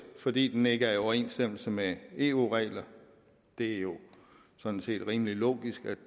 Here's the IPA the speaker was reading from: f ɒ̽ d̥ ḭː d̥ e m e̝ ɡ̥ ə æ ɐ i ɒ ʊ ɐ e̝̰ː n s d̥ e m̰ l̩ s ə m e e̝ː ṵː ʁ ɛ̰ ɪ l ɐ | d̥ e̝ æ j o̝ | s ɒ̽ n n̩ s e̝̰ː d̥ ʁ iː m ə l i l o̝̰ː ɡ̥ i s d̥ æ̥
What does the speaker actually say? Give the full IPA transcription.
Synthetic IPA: f ɒ̽ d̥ ḭː d̥ e n e̝ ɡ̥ ə æ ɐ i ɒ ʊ ɐ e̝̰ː n s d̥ e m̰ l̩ s ə m e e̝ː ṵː ʁ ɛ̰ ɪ l ɐ | d̥ e̝ æ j o̝ | s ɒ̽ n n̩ s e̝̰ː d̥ ʁ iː m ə l i l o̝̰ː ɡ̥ i s ɡ̥ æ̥

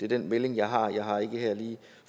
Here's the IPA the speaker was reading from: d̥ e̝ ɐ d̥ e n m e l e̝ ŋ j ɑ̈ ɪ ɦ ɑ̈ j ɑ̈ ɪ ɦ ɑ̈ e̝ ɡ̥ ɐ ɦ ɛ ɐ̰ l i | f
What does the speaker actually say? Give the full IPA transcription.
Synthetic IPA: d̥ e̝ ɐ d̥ e n m e l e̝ ŋ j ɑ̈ ɪ ɦ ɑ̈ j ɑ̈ ɪ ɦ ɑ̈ e̝ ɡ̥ ə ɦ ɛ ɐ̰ l iː | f

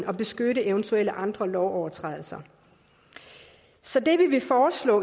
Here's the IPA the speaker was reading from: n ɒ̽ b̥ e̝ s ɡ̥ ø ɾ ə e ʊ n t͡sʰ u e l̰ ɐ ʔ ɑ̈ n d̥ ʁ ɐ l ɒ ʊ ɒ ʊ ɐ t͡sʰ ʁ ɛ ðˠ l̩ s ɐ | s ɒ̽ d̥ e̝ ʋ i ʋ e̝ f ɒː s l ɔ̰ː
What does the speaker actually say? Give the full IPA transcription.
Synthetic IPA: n ɒ̽ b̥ e̝ s ɡ̥ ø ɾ ə e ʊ n t͡sʰ u e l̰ ə ʔ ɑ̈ n d̥ ʁ ɐ l ɒ ʊ ɒ ʊ ɐ t͡sʰ ʁ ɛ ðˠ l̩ s ɐ | s ɒ̽ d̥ e̝ ʋ i ʋ e̝ f ɒː s l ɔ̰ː

